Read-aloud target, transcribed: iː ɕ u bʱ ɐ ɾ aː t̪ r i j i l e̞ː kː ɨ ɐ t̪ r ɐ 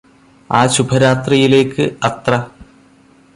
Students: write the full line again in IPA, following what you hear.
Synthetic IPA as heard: aː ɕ u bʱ ɐ ɾ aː t̪ r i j i l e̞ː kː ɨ ɐ t̪ r ɐ